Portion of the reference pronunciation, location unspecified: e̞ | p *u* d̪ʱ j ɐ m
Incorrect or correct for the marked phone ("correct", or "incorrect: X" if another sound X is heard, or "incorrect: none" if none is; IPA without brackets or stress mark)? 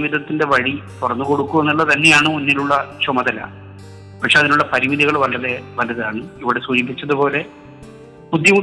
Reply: correct